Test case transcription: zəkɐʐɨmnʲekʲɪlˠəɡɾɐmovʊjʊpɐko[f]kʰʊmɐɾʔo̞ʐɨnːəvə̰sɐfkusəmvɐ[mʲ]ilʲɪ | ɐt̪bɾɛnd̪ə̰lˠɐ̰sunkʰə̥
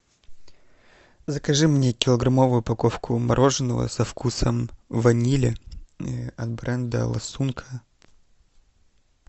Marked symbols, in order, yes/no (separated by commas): yes, no